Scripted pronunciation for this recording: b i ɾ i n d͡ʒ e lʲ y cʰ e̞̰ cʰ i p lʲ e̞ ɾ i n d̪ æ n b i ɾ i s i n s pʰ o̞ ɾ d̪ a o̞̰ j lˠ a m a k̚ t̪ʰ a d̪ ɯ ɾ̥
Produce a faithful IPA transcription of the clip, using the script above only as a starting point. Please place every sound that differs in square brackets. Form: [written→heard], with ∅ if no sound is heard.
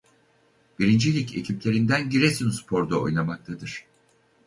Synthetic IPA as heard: b i ɾ i n d͡ʒ [e→i] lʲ [y→i] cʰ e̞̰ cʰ i p lʲ e̞ ɾ i n d̪ æ n [b→ɟ] i ɾ [i→e] s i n s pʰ o̞ ɾ d̪ a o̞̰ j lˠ a m a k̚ t̪ʰ a d̪ ɯ ɾ̥